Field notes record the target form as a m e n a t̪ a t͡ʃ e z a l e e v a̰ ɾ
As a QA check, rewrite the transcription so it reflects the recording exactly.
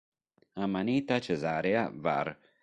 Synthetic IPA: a m a n i t̪ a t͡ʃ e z a ɾ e a v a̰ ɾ